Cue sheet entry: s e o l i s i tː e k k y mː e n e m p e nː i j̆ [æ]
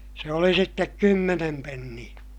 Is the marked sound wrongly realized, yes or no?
no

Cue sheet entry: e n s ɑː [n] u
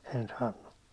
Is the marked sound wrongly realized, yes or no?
yes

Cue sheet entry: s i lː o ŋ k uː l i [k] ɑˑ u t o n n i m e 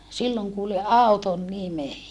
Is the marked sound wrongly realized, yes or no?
yes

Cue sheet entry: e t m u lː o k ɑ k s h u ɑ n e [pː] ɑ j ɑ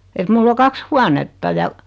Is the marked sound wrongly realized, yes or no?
yes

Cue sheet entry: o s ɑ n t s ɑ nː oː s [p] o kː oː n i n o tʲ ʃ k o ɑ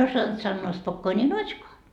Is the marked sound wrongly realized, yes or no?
no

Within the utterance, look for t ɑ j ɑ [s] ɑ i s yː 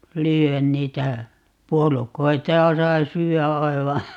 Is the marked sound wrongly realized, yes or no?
no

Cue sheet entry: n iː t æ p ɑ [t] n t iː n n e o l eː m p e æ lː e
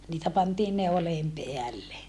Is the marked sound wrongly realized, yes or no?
yes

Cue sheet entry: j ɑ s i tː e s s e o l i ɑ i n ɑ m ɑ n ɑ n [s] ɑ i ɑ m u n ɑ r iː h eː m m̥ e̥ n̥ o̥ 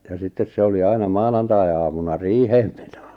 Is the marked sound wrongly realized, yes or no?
yes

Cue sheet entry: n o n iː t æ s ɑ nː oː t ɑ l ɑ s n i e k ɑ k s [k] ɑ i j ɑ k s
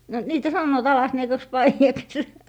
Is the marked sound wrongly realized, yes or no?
yes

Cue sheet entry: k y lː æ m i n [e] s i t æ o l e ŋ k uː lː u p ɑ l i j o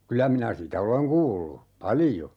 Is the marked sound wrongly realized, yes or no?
yes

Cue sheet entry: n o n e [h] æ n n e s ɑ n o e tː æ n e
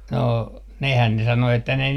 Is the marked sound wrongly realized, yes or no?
no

